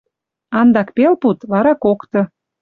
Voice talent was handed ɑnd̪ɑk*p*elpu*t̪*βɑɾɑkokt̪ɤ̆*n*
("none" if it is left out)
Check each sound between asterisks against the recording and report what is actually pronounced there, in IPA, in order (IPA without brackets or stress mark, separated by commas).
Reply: p, t̪, none